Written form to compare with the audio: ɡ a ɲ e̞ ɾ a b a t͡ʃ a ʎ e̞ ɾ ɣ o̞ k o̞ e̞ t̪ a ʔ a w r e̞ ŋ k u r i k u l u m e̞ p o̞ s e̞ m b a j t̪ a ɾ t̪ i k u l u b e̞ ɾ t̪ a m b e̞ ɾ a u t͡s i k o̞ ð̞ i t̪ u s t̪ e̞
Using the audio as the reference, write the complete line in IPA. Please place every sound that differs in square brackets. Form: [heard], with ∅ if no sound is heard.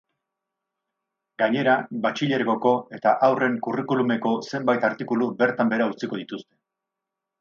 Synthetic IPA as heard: ɡ a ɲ e̞ ɾ a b a t͡ʃ [i] ʎ e̞ ɾ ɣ o̞ k o̞ e̞ t̪ a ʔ a w r e̞ ŋ k u r i k u l u m e̞ [k] o̞ s e̞ m b a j t̪ a ɾ t̪ i k u l u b e̞ ɾ t̪ a m b e̞ ɾ a u t͡s i k o̞ ð̞ i t̪ u s t̪ e̞